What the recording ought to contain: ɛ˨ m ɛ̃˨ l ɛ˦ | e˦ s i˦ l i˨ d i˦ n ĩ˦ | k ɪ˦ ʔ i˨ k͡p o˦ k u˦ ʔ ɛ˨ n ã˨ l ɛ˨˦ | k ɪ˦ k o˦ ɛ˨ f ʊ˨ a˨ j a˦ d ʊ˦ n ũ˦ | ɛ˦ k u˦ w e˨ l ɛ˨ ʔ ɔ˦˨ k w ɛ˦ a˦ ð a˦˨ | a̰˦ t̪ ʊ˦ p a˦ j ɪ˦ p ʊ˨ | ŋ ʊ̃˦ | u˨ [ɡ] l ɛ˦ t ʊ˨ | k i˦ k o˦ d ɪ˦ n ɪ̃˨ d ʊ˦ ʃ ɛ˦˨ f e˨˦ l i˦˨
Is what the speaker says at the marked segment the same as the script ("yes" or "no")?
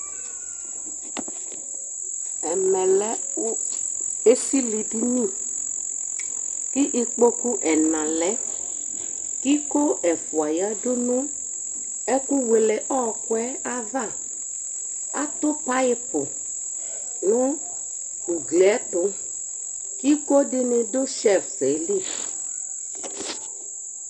yes